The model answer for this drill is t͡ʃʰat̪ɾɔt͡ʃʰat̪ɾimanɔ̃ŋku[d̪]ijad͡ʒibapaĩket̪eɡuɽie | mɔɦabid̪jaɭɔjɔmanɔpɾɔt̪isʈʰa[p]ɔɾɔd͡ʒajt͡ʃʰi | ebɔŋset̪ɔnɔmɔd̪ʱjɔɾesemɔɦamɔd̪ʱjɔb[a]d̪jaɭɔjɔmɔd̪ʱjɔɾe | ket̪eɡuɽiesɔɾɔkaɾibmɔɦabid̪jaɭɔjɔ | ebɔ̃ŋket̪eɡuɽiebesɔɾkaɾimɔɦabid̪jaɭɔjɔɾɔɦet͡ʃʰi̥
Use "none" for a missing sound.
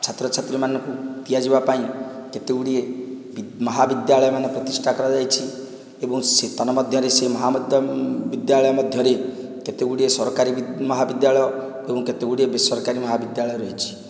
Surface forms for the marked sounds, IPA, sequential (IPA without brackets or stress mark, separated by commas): t̪, k, i